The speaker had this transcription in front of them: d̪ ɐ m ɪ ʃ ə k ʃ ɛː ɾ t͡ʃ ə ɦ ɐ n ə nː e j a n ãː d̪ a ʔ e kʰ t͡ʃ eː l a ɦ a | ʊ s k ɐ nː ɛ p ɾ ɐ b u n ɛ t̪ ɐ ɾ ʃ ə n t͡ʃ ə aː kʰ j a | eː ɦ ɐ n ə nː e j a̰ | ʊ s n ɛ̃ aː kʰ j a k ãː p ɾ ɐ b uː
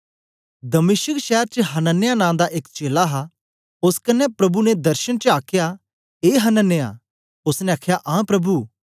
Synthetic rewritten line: d̪ ɐ m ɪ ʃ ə k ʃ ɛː ɾ t͡ʃ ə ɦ ɐ n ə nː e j a n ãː d̪ a ʔ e k t͡ʃ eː l a ɦ a | ʊ s k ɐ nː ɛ p ɾ ɐ b u n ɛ d̪ ɐ ɾ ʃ ə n t͡ʃ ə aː kʰ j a | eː ɦ ɐ n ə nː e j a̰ | ʊ s n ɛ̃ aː kʰ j a ʔ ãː p ɾ ɐ b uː

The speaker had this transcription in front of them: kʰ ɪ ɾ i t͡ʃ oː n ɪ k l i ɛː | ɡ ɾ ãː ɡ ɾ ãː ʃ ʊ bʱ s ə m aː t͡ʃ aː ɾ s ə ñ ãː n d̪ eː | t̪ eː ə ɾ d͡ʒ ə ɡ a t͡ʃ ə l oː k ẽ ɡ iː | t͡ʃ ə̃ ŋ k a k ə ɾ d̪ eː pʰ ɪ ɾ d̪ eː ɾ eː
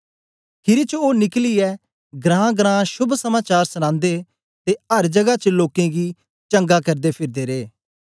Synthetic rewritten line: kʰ ɪ ɾ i t͡ʃ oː n ɪ k l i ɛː | ɡ ɾ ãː ɡ ɾ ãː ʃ ʊ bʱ s ə m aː t͡ʃ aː ɾ s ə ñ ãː n d̪ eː | t̪ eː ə ɾ d͡ʒ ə ɡ a t͡ʃ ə l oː k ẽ ɡ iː | t͡ʃ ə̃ ŋ ɡ a k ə ɾ d̪ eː pʰ ɪ ɾ d̪ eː ɾ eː

